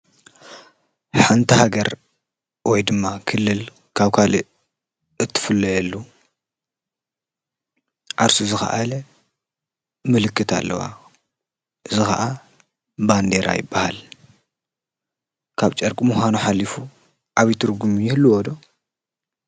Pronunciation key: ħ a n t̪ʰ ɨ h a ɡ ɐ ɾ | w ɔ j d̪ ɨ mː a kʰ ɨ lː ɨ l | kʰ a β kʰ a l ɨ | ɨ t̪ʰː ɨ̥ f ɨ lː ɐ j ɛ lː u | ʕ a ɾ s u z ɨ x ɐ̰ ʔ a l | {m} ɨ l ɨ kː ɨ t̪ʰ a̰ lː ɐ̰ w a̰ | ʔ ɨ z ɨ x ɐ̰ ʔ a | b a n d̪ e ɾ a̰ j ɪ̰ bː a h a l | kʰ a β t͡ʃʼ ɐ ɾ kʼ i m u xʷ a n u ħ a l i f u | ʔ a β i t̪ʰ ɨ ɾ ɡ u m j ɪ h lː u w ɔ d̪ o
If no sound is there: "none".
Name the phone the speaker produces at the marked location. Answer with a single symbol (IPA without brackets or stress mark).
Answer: m